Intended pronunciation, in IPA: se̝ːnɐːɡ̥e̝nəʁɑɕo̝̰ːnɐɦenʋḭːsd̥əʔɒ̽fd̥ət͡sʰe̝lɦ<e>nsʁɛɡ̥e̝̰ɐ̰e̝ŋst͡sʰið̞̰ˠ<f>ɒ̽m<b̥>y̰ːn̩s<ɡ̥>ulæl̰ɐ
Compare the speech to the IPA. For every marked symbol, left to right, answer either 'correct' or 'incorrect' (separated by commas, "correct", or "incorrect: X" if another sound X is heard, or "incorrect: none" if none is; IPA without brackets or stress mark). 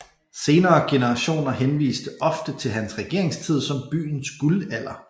incorrect: æ, incorrect: s, correct, correct